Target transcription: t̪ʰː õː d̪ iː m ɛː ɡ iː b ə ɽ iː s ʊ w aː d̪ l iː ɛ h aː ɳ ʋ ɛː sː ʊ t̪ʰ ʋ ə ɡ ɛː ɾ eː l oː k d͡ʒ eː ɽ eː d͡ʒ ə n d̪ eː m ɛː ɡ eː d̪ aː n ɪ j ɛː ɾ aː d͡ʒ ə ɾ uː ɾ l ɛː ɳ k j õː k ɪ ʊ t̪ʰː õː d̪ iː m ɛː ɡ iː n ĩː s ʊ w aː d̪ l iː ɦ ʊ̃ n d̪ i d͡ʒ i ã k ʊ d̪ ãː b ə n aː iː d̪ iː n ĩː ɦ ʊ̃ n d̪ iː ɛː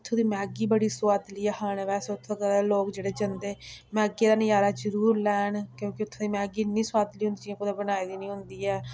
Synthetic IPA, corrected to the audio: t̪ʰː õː d̪ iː m ɛː ɡ iː b ə ɽ iː s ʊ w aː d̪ l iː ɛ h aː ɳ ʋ ɛː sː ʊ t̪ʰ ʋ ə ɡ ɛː ɾ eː l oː k d͡ʒ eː ɽ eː d͡ʒ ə n d̪ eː m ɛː ɡ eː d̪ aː n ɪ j aː ɾ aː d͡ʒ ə ɾ uː ɾ l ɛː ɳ k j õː k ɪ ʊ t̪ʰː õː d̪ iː m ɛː ɡ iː n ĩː s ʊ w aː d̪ l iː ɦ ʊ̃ n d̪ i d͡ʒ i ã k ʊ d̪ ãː b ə n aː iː d̪ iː n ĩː ɦ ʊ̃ n d̪ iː ɛː

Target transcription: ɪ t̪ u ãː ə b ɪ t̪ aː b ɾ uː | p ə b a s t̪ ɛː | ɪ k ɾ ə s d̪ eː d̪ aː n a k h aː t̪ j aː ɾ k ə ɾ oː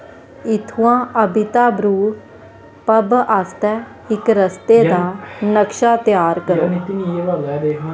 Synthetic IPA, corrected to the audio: ɪ t̪ʰ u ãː ə b ɪ t̪ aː b ɾ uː | p ə b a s t̪ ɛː | ɪ k ɾ ə s t̪ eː d̪ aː n ə k ʃ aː t̪ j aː ɾ k ə ɾ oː

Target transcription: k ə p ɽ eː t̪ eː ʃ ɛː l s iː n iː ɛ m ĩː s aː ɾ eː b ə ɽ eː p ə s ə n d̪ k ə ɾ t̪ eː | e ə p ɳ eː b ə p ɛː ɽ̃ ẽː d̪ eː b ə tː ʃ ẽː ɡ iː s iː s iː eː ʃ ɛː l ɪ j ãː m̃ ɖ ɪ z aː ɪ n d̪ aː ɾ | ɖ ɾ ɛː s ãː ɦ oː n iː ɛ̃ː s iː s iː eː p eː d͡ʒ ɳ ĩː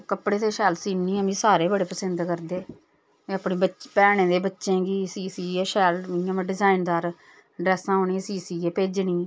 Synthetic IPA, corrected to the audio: k ə p ɽ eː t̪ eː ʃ ɛː l s iː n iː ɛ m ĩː s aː ɾ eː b ə ɽ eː p ə s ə n d̪ k ə ɾ d̪ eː | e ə p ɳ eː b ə p ɛː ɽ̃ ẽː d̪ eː b ə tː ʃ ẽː ɡ iː s iː s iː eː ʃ ɛː l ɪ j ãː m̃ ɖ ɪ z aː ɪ n d̪ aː ɾ | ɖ ɾ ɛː s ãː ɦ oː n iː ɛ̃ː s iː s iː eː p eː d͡ʒ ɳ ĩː

